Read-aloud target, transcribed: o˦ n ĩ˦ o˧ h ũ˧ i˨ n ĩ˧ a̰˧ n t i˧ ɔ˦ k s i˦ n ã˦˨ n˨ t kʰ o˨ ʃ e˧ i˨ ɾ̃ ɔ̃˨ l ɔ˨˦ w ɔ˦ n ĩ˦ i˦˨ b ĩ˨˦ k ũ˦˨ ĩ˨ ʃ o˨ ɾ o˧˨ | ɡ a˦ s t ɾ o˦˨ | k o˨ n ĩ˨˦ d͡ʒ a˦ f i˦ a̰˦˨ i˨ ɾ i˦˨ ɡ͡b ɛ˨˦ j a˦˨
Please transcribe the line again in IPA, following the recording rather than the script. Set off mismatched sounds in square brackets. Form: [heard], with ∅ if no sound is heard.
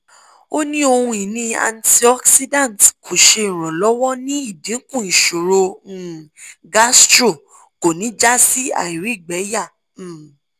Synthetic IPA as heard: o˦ n ĩ˦ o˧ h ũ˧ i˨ n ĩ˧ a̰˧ n t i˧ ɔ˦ k s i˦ [d] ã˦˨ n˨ t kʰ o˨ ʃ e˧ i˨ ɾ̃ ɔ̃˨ l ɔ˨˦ w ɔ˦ n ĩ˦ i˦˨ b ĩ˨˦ k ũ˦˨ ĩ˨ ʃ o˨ ɾ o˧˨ | ɡ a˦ s t ɾ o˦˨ | k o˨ n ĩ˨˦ d͡ʒ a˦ [s] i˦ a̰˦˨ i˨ ɾ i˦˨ ɡ͡b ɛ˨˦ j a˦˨